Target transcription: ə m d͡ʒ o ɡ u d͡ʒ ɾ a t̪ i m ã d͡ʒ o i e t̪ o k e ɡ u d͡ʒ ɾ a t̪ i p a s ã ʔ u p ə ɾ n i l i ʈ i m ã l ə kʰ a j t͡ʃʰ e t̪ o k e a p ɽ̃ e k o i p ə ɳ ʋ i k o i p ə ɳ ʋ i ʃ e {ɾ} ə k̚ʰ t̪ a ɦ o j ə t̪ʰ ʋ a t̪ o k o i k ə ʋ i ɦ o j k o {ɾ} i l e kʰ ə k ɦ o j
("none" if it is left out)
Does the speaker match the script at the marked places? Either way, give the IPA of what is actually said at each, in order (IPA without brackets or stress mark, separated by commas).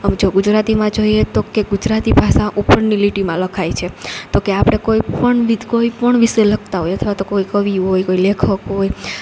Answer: l, none